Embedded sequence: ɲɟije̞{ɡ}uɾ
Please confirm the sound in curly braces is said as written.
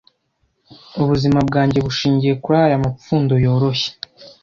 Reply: no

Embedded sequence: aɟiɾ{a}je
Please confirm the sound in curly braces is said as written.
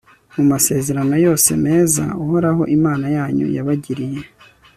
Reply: no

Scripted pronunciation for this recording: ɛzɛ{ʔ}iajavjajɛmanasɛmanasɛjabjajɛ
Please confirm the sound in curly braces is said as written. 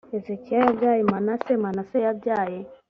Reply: no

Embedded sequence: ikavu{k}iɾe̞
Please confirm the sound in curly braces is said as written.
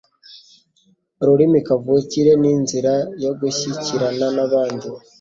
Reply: no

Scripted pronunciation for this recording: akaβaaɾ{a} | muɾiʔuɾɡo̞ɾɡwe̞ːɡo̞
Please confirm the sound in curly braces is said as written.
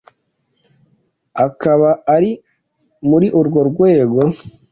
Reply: no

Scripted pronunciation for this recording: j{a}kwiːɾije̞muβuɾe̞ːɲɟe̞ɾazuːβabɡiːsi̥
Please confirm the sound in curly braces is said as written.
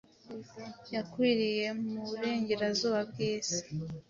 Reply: yes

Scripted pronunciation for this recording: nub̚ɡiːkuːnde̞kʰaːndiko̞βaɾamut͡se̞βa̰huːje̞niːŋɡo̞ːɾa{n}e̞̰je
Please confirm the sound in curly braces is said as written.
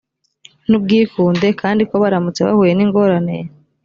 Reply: yes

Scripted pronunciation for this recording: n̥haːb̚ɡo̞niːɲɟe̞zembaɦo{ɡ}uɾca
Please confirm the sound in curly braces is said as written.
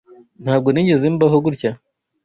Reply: yes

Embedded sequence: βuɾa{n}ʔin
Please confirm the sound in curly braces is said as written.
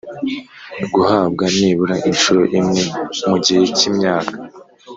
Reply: no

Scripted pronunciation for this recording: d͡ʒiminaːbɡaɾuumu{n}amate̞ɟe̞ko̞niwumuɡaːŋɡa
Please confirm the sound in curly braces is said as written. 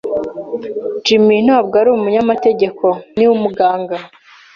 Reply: no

